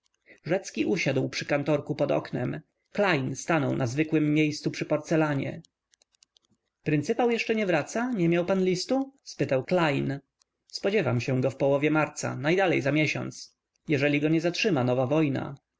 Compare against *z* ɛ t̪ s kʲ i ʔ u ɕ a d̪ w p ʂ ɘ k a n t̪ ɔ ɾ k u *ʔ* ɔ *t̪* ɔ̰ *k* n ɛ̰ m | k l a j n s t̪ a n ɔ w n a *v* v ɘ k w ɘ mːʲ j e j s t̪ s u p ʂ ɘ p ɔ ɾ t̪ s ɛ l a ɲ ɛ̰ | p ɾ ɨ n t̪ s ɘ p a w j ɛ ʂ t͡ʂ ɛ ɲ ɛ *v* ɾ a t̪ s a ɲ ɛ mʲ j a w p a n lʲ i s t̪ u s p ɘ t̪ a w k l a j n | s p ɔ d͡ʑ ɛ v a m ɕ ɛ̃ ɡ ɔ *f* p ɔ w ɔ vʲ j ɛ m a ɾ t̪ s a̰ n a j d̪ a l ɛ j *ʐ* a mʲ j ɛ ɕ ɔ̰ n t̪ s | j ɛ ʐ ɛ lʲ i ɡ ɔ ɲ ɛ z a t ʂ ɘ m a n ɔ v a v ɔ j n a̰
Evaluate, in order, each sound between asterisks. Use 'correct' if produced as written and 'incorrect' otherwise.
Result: incorrect, incorrect, incorrect, correct, incorrect, correct, correct, incorrect

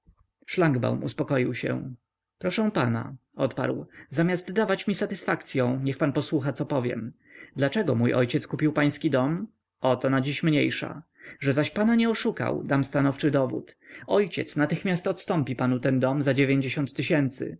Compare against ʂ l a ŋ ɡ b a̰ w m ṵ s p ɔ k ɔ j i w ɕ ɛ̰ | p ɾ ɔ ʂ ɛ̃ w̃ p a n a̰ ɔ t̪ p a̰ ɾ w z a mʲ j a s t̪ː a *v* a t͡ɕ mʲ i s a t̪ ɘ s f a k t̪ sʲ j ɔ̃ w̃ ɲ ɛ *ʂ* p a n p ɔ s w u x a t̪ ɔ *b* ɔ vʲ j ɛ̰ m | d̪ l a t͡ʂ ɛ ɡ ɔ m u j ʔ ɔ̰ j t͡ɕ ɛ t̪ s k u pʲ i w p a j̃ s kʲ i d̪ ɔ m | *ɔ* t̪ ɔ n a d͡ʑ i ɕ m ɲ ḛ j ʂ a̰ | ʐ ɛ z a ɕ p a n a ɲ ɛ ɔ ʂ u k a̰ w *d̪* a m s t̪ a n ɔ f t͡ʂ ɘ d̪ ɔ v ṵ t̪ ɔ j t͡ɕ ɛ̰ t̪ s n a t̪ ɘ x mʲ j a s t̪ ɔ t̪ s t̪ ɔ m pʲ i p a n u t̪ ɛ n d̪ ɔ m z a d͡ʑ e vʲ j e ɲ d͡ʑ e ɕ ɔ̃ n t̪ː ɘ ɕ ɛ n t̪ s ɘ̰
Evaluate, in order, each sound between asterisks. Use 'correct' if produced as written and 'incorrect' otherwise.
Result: correct, incorrect, incorrect, correct, correct

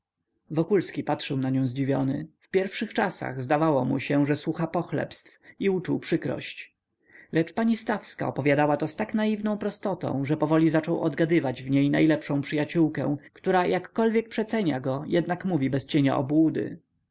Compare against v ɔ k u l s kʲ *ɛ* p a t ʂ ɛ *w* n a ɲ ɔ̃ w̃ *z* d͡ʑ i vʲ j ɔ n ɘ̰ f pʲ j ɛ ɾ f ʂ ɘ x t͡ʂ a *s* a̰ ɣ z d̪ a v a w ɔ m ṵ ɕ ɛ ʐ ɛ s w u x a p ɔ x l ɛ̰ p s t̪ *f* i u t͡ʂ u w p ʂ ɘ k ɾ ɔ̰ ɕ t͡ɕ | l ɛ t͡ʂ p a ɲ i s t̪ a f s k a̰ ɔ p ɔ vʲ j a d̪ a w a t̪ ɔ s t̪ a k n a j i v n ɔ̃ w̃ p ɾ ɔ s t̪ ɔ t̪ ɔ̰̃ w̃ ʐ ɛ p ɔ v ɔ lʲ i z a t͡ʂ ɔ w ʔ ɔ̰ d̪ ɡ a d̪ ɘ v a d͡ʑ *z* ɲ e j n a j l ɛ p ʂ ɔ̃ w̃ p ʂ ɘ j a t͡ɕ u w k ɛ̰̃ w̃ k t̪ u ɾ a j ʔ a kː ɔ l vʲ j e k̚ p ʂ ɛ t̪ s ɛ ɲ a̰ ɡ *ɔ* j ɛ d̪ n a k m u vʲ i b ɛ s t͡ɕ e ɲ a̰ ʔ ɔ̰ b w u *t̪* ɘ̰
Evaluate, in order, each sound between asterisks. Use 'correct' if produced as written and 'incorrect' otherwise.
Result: incorrect, correct, correct, correct, correct, incorrect, correct, incorrect

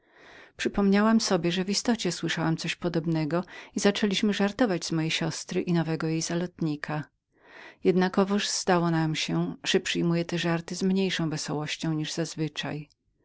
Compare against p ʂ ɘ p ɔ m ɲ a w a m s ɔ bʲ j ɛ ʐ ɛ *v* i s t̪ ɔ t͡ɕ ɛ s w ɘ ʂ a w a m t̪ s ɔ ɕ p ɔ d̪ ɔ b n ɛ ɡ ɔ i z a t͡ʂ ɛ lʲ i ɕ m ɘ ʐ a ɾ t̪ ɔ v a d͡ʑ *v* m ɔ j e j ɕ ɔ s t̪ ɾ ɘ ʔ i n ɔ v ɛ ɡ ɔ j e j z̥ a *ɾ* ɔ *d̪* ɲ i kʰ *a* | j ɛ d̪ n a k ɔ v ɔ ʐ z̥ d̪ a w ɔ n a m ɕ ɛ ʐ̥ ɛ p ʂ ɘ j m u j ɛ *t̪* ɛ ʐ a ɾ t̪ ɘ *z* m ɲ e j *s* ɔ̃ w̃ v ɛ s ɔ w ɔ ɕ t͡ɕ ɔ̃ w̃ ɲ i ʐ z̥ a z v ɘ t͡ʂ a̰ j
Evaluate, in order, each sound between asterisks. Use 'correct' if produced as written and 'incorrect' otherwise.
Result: correct, incorrect, incorrect, incorrect, correct, correct, correct, incorrect

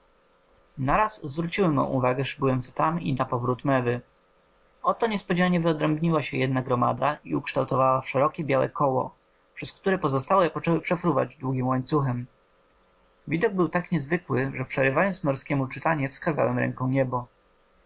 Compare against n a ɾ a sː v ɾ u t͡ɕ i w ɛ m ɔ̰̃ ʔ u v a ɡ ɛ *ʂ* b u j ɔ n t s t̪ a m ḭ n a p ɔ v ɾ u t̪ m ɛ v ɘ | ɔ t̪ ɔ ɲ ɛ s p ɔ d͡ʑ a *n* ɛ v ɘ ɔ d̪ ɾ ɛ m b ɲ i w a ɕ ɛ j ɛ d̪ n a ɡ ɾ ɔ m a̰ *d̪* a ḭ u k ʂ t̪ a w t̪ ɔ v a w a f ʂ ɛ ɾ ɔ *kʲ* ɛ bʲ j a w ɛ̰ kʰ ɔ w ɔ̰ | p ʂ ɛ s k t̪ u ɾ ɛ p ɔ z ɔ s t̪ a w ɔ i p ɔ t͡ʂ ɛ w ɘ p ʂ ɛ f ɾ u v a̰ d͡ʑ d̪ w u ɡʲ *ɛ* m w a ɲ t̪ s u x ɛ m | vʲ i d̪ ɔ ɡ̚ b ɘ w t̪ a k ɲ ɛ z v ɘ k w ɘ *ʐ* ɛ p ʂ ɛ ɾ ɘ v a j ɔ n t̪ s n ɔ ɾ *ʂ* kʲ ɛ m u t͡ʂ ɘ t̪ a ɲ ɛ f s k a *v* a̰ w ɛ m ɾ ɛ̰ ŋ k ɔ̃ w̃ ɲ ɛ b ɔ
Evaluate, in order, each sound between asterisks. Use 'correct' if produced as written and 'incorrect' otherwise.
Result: correct, incorrect, correct, correct, incorrect, correct, incorrect, incorrect

